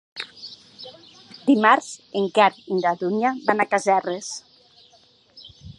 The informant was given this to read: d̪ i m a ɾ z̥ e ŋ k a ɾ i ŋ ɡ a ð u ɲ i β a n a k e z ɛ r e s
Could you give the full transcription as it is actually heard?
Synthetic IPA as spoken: d̪ i m a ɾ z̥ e ŋ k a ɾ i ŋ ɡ a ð u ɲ a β a n a k a z ɛ r e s